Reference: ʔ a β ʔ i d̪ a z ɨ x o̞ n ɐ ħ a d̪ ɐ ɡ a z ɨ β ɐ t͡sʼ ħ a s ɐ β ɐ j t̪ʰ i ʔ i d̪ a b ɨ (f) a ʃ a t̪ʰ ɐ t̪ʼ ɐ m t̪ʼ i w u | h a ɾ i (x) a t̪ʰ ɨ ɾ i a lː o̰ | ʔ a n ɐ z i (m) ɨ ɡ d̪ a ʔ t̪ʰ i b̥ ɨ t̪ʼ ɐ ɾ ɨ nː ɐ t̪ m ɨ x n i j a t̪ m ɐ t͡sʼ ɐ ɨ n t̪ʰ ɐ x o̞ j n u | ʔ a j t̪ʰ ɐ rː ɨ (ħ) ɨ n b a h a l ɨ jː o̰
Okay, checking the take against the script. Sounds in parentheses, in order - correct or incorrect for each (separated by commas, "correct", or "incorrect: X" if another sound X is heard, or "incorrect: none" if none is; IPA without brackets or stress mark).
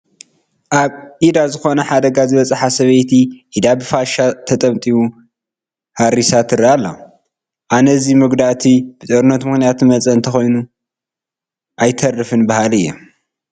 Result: correct, incorrect: s, correct, incorrect: f